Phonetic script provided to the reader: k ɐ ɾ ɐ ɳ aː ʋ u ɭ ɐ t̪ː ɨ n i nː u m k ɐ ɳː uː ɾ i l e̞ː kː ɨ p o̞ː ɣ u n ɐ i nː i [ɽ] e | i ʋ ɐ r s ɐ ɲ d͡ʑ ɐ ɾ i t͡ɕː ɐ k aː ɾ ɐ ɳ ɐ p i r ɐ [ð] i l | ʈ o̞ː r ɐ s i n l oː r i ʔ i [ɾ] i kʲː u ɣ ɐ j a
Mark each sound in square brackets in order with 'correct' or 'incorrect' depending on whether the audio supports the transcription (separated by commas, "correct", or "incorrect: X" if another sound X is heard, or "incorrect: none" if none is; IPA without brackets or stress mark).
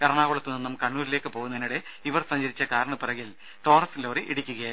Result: correct, incorrect: ɣ, incorrect: ɽ